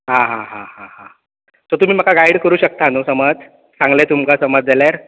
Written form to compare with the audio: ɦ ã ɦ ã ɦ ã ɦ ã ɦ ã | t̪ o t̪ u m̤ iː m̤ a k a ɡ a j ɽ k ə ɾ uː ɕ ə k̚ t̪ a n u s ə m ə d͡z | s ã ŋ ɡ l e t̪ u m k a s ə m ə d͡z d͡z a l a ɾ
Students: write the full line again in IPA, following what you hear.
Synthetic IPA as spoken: ɦ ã ɦ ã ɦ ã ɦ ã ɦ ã | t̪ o t̪ u m̤ iː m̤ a k a ɡ a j ɽ k ə ɾ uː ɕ ə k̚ t̪ a n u s ə m ə d͡z | s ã ŋ ɡ l e t̪ u m k a s ə m ə d͡z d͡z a l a ɾ

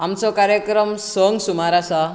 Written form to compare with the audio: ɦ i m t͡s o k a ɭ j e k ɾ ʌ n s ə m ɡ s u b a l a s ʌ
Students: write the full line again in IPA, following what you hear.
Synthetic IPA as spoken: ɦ a m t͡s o k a ɾ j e k ɾ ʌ m s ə ŋ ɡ s u m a ɾ a s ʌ

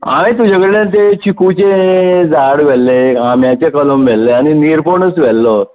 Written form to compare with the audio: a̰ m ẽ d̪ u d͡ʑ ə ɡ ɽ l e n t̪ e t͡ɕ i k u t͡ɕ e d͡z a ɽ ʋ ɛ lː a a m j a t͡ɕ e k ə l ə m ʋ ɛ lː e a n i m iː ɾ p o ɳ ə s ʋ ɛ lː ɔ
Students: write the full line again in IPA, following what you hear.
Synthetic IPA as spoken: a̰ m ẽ t̪ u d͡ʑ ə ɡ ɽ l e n t̪ e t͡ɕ i k u t͡ɕ e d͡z a ɽ ʋ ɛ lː e a m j a t͡ɕ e k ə l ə m ʋ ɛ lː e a n i n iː ɾ p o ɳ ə s ʋ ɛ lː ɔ

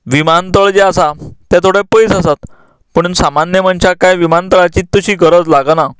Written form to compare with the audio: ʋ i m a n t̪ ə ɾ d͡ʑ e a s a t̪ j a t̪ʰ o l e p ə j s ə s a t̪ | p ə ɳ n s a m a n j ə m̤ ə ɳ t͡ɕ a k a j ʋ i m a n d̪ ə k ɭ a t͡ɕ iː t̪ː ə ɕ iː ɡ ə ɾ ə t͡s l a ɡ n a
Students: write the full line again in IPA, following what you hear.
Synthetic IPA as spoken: ʋ i m a n t̪ ə ɭ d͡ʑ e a s a t̪ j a t̪ʰ o ɽ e p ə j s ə s a t̪ | p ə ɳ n s a m a n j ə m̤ ə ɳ t͡ɕ a k a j ʋ i m a n t̪ ə ɭ a t͡ɕ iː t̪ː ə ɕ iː ɡ ə ɾ ə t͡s l a ɡ n a

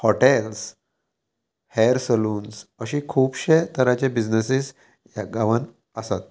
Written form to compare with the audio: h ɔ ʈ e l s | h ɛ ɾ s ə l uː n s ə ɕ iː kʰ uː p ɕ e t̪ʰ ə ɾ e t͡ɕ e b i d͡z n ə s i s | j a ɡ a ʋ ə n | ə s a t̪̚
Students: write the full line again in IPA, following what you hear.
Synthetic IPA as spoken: h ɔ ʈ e l s | h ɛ ɾ s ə l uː n s ə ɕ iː kʰ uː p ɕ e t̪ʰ ə ɾ a t͡ɕ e b i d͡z n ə s i s | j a ɡ a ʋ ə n | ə s a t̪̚

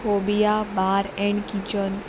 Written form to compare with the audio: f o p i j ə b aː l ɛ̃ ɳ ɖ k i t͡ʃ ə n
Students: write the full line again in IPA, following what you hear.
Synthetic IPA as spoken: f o b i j a b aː ɾ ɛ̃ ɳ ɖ k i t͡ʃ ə n

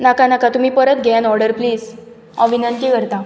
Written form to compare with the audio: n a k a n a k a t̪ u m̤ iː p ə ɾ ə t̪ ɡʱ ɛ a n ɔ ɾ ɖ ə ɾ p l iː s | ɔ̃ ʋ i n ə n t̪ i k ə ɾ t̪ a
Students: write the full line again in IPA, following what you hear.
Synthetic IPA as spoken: n a k a n a k a t̪ u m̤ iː p ə ɾ ə t̪ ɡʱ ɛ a n ɔ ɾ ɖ ə ɾ p l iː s | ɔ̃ ʋ i n ə n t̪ i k ə ɾ t̪ a

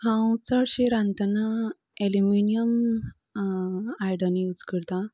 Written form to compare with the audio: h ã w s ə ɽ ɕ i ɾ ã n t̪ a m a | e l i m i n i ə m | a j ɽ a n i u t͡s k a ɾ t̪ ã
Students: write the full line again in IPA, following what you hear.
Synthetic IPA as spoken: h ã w t͡s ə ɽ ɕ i ɾ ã n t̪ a n a | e l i m i n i ə m | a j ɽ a n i u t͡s k ə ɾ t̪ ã

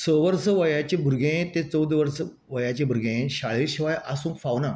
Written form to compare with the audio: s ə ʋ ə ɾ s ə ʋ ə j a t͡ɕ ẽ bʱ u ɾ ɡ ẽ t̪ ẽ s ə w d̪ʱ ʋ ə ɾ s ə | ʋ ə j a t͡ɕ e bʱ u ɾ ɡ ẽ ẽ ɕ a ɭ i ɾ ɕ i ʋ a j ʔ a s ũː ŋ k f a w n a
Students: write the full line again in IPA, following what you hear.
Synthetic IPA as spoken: s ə ʋ ə ɾ s ə ʋ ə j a t͡ɕ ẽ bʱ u ɾ ɡ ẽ t̪ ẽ t͡s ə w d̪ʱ ʋ ə ɾ s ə | ʋ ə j a t͡ɕ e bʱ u ɾ ɡ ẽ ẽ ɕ a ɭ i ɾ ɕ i ʋ a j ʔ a s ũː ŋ k f a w n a

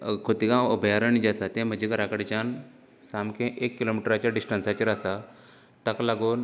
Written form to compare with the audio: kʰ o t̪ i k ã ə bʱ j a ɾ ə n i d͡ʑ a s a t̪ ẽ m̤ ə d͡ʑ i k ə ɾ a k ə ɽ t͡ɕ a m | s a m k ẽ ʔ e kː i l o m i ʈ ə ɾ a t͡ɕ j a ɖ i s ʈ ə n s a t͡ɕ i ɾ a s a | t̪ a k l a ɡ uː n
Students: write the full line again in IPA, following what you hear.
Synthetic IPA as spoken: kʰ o t̪ i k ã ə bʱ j a ɾ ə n i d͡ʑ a s a t̪ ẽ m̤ ə d͡ʑ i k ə ɾ a k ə ɽ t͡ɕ a n | s a m k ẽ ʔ e kː i l o m i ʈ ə ɾ a t͡ɕ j a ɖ i s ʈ ə n s a t͡ɕ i ɾ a s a | t̪ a k l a ɡ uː n

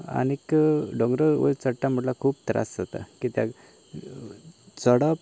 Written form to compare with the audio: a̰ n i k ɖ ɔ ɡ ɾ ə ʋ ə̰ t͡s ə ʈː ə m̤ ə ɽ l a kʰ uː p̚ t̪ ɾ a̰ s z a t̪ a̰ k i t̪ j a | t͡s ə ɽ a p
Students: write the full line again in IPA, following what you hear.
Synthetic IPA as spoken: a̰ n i k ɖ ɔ ɡ ɾ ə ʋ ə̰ t͡s ə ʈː a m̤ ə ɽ l a kʰ uː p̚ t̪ ɾ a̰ s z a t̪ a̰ k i t̪ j a | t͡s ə ɽ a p

